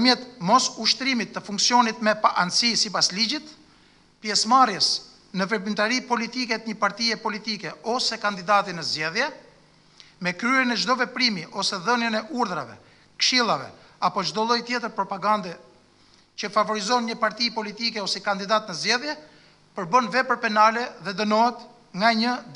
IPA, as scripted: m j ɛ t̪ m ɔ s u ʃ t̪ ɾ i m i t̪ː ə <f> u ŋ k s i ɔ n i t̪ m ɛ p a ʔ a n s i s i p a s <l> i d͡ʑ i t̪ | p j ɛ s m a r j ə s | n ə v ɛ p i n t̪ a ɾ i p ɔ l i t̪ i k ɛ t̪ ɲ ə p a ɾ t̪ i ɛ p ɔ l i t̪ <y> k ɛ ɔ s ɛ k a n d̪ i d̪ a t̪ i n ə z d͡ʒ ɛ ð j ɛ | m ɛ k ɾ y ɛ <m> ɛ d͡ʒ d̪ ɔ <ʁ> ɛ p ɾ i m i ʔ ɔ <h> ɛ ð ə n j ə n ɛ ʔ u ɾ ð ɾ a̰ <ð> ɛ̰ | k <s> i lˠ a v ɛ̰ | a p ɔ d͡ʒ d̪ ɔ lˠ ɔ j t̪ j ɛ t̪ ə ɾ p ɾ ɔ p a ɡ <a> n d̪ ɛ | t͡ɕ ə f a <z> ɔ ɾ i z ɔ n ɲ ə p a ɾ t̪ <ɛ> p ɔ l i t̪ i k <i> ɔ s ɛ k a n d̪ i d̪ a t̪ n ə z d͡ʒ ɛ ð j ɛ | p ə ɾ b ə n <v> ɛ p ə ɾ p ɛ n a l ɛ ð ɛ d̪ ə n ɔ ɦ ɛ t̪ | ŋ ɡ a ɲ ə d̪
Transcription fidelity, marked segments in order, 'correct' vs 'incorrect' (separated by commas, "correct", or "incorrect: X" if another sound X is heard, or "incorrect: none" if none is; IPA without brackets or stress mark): correct, correct, incorrect: i, incorrect: n, incorrect: v, incorrect: s, incorrect: v, incorrect: ʃ, correct, incorrect: v, incorrect: i, incorrect: ɛ, correct